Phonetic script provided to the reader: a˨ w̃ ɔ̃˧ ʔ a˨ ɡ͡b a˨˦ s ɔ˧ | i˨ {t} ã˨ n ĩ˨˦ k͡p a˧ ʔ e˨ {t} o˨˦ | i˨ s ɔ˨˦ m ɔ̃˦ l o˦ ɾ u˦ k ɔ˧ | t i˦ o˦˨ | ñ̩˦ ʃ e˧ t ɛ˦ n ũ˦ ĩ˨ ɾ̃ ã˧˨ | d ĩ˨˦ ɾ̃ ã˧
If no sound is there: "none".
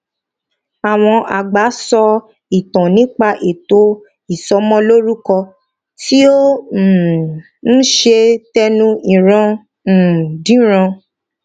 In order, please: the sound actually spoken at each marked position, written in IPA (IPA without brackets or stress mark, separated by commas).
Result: t, t